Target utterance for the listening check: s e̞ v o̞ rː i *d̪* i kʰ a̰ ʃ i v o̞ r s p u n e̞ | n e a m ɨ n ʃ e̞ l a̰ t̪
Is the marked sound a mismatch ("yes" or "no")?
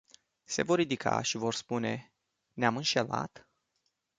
no